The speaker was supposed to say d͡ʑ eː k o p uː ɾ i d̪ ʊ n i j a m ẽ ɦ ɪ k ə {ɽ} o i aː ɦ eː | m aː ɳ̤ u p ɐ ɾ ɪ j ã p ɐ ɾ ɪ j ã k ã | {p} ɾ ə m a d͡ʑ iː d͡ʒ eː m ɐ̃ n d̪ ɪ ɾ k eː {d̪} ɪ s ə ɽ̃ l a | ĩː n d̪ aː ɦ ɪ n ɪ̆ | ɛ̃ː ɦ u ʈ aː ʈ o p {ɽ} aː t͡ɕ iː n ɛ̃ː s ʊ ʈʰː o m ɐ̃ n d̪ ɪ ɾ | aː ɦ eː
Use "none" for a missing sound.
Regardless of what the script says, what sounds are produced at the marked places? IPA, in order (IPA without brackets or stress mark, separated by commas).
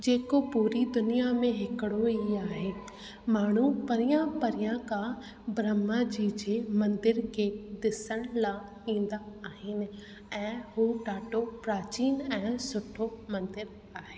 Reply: ɽ, b, d̪, ɾ